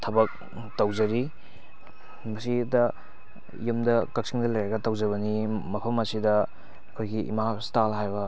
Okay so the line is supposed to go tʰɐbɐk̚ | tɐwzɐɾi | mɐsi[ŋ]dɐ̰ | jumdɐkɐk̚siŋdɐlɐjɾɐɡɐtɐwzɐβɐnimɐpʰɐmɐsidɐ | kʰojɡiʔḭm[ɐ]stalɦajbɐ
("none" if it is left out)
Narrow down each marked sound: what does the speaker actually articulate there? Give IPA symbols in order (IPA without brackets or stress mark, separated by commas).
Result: none, a